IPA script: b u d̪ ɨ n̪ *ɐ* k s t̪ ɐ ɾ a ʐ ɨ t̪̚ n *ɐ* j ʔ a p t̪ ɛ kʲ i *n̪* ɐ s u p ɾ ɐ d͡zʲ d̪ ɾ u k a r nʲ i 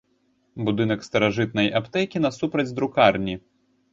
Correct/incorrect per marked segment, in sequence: correct, correct, correct

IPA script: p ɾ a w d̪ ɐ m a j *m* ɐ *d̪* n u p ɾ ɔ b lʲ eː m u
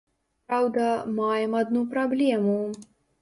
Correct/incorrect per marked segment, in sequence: correct, correct

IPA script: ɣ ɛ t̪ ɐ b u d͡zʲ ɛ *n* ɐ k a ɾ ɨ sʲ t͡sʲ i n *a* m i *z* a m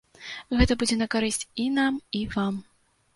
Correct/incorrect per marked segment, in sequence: correct, correct, incorrect

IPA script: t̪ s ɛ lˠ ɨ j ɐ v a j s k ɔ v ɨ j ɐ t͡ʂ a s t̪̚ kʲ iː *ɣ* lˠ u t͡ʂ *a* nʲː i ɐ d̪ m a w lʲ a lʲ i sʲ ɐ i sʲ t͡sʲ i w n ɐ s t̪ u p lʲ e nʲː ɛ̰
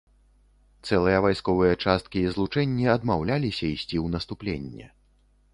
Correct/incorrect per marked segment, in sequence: incorrect, incorrect

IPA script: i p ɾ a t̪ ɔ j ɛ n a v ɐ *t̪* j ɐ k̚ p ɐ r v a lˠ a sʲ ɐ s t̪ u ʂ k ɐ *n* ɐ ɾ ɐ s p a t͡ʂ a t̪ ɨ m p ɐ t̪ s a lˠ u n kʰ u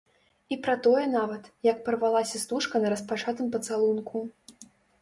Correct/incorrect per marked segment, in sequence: correct, correct

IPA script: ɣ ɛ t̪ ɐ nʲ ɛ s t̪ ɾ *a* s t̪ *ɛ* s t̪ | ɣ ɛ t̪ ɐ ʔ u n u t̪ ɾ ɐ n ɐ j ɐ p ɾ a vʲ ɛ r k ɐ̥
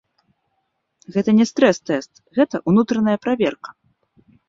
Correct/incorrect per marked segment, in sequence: incorrect, correct

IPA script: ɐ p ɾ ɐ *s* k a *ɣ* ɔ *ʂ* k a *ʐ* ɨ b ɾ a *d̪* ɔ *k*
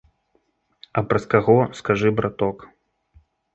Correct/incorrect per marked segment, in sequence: correct, correct, incorrect, correct, incorrect, correct

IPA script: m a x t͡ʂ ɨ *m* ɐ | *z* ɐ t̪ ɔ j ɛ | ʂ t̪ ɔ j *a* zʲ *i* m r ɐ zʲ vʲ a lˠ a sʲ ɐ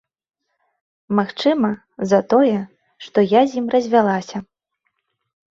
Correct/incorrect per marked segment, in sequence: correct, correct, correct, correct

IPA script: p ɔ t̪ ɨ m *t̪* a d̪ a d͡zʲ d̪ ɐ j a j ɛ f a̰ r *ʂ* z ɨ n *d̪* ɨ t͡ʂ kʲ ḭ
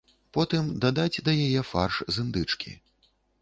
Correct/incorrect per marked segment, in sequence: incorrect, correct, correct

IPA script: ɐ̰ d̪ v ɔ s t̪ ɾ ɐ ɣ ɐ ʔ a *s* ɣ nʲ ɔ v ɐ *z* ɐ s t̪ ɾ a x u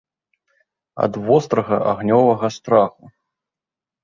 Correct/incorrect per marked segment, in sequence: incorrect, incorrect

